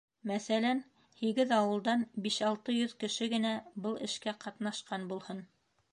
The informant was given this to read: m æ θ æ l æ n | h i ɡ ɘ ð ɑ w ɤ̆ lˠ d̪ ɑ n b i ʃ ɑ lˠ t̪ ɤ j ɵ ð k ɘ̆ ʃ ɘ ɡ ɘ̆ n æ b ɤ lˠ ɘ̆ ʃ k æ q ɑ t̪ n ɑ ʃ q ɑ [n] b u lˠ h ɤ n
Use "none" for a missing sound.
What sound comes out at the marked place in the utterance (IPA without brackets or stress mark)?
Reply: n